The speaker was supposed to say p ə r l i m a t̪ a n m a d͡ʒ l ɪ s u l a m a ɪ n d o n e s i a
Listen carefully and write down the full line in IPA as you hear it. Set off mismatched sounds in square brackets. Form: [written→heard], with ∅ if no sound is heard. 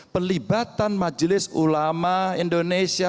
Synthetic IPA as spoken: p ə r l i [m→b] a t̪ a n m a d͡ʒ l ɪ s u l a m a [ɪ→i] n d o n e s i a